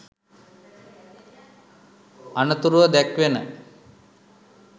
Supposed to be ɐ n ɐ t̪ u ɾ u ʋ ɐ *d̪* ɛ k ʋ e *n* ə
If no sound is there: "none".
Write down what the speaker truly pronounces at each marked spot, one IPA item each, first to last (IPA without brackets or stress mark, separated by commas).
d̪, n